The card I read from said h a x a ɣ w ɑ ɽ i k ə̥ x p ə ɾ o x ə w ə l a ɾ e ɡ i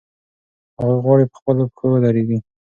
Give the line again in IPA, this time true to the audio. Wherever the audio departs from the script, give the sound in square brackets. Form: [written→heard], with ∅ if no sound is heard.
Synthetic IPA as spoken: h a [x→ɣ] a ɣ w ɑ ɽ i [k→p] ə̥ x p ə [ɾ→l] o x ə w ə l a ɾ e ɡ i